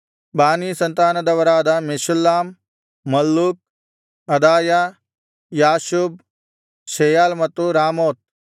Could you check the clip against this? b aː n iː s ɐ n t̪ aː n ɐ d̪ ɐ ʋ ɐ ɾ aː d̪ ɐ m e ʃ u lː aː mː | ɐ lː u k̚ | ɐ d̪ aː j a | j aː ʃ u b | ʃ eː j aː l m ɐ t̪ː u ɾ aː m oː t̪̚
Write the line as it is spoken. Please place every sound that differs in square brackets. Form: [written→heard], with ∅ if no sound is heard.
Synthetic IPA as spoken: b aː n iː s ɐ n t̪ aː n ɐ d̪ ɐ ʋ ɐ ɾ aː d̪ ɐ m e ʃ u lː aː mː | ɐ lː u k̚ | ɐ d̪ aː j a | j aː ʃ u b | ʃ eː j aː l m ɐ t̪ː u ɾ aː m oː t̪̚